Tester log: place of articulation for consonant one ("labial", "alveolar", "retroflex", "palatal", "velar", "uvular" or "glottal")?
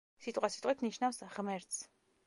alveolar